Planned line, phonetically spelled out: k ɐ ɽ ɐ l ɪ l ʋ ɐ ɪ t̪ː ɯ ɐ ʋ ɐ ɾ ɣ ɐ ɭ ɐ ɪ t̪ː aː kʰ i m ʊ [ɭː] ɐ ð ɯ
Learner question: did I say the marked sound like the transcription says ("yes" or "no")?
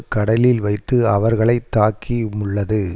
yes